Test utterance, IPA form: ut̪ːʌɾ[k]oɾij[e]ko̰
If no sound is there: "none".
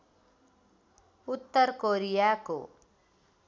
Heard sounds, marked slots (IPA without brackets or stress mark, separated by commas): k, a